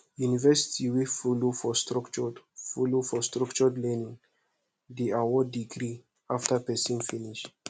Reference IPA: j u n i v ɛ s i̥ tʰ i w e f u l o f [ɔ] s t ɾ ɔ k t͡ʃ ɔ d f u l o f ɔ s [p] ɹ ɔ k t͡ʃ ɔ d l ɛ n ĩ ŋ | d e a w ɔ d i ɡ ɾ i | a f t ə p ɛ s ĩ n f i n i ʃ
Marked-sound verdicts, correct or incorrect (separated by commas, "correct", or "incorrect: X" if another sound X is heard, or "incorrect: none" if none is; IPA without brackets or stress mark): correct, incorrect: t